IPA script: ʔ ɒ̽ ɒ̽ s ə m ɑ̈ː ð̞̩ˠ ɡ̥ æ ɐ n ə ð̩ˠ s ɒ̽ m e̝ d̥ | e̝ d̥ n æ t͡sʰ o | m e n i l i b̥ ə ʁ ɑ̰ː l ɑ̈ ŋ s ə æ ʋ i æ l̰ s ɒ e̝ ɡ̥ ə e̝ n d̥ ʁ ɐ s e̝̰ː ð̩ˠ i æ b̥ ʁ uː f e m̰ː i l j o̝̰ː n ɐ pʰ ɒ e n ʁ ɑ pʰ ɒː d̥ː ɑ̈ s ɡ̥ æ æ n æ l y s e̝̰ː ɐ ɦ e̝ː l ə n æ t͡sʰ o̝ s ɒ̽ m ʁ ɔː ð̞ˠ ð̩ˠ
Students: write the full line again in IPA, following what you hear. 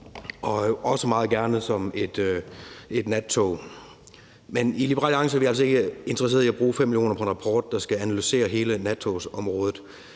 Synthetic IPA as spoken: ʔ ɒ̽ ɒ̽ s ə m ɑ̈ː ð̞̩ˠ ɡ̥ æ ɐ n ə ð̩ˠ s ɒ̽ m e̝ d̥ | e̝ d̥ n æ t͡sʰ o | m e n i l i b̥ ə ʁ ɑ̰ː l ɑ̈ ŋ s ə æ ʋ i æ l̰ s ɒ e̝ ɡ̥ ə e̝ n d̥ ʁ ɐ s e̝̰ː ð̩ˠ i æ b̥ ʁ uː f e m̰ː i l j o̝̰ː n ɐ pʰ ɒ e n ʁ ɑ pʰ ɒː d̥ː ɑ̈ s ɡ̥ æ æ n æ l y s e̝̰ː ɐ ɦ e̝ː l ə n æ t͡sʰ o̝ s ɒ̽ m ʁ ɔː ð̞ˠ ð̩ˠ